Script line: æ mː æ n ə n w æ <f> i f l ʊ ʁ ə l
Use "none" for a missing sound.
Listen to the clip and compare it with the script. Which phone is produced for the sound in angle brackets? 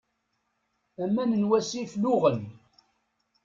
s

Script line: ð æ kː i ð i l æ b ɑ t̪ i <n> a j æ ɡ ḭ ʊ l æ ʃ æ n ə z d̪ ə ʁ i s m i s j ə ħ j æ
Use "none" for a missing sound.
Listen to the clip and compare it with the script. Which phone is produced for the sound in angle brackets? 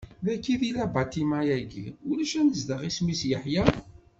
m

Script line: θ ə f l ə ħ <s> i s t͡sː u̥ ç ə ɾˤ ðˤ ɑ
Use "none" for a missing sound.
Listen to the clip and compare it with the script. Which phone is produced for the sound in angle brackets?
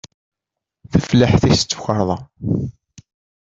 θ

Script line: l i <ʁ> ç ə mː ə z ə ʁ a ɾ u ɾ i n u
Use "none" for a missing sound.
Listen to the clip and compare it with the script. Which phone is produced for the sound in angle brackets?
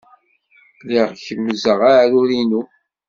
ʁ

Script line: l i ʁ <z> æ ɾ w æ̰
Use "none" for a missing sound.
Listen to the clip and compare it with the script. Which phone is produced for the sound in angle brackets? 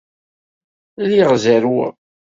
z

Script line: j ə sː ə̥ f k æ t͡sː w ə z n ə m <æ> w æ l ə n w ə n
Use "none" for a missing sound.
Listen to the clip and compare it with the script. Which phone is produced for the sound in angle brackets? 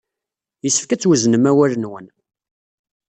æ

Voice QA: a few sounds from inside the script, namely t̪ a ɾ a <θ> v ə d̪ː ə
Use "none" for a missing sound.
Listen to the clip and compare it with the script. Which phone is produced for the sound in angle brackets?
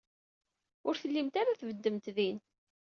θ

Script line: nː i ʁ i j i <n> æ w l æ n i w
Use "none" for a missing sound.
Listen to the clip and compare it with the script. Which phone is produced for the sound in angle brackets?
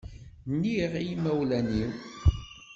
m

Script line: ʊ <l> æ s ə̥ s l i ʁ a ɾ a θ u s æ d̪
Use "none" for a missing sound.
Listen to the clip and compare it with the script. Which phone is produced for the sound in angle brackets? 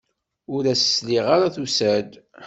ɾ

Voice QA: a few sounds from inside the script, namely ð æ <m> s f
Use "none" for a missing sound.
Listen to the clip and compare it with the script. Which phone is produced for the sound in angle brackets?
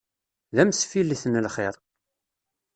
m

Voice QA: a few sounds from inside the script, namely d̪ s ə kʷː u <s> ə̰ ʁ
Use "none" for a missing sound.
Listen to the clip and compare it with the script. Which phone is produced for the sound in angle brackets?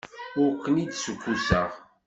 s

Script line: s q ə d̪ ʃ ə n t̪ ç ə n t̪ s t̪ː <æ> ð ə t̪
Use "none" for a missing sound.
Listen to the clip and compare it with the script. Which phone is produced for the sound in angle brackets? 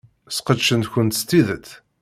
i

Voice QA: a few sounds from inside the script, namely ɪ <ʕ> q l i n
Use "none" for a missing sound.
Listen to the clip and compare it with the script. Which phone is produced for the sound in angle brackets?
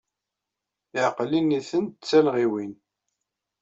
ʕ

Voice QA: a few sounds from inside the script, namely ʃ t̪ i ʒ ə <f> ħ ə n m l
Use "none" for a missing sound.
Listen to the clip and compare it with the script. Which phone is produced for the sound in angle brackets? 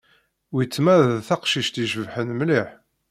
v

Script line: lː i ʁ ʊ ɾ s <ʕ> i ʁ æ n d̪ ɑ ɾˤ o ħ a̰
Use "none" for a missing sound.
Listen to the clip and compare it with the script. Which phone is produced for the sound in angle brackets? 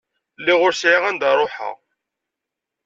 ʕ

